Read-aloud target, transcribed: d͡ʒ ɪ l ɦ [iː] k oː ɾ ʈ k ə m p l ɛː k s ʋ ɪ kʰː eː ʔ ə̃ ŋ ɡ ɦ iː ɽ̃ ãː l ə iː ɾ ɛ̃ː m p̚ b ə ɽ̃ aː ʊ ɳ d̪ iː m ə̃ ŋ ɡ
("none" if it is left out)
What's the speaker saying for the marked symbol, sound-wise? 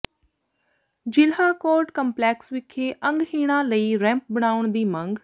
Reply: aː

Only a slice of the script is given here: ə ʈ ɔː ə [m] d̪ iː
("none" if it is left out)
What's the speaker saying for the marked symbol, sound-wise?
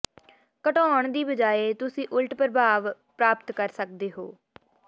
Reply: ɳ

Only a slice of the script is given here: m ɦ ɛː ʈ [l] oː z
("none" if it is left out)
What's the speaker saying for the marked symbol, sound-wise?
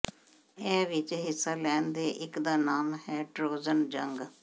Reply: ɾ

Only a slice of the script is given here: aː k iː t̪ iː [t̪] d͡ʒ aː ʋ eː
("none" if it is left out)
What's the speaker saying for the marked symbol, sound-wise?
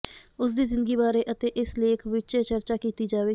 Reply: none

